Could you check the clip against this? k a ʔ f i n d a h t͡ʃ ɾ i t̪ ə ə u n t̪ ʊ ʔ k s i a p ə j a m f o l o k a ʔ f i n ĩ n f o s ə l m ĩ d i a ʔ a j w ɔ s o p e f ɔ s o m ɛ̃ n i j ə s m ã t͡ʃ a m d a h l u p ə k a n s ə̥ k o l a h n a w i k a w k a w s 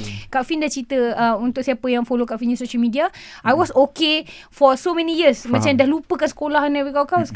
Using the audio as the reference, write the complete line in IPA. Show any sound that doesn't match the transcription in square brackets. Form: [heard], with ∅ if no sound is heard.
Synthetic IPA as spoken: k a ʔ f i n d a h t͡ʃ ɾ i t̪ ə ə u n t̪ ʊ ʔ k s i a p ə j a [ŋ] f o l o k a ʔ f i n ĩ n [s] o [ʃ] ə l m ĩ d i a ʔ a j w ɔ s o [k] e f ɔ s o m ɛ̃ n i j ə s m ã t͡ʃ a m d a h l u p ə k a n s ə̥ k o l a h n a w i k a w k a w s